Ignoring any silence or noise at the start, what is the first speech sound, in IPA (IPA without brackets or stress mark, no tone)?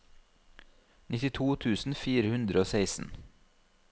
n